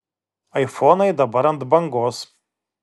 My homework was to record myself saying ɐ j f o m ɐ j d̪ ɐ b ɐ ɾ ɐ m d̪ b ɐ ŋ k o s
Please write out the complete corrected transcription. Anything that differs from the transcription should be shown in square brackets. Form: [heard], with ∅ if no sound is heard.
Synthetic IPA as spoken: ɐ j f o [n] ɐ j d̪ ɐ b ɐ ɾ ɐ [n] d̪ b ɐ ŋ [ɡ] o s